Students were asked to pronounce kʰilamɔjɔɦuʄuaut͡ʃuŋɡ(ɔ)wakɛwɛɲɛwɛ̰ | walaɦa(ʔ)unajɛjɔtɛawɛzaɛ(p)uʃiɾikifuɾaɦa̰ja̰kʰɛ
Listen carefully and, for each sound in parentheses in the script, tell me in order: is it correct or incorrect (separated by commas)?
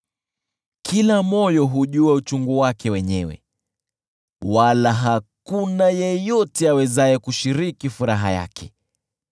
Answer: incorrect, incorrect, incorrect